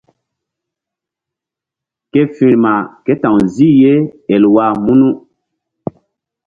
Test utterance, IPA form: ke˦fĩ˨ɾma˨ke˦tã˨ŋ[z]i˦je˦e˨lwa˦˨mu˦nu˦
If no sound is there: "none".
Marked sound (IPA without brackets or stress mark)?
z